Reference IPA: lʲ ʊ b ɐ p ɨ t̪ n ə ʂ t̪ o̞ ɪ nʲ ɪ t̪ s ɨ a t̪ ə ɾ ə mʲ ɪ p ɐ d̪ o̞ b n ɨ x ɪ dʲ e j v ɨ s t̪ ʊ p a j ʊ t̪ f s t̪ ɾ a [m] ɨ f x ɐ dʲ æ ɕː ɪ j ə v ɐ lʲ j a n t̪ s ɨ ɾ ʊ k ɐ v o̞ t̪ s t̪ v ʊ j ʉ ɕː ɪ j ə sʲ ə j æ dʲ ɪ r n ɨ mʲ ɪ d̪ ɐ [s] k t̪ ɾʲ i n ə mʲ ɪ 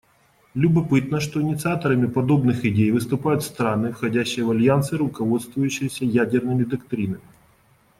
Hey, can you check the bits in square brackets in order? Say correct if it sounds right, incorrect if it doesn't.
incorrect, incorrect

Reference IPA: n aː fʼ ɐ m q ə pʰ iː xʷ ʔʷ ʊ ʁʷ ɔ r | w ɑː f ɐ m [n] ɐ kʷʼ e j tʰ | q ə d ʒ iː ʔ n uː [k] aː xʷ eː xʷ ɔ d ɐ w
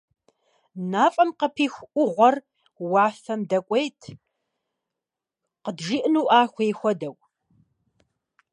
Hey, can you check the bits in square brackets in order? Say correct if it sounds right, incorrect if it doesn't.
incorrect, incorrect

